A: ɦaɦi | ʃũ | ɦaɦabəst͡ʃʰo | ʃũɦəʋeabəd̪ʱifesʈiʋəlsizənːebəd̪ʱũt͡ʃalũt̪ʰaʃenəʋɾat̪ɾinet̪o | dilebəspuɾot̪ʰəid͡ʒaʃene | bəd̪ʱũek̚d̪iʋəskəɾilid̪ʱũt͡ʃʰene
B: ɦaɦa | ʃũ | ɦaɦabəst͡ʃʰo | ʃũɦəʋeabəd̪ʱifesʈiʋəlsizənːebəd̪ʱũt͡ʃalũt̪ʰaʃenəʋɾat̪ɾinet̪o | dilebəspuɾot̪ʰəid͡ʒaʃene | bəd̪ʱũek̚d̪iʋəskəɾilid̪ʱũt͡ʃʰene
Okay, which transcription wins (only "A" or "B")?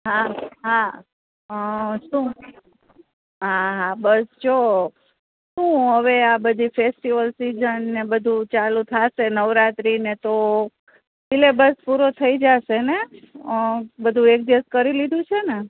B